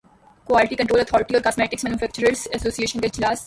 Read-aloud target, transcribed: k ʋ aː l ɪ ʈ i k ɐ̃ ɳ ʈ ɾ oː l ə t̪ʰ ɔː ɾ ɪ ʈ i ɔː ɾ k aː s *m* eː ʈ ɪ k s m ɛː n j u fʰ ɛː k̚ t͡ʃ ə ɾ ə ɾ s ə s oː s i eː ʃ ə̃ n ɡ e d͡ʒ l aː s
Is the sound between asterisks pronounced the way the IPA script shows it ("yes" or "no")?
yes